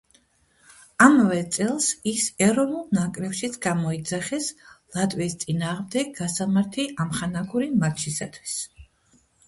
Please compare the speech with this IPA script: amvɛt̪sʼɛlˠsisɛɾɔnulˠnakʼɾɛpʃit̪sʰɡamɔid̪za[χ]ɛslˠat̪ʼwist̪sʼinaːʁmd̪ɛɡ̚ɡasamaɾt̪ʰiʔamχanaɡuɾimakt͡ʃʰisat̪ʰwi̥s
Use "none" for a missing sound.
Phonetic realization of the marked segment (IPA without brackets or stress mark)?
χ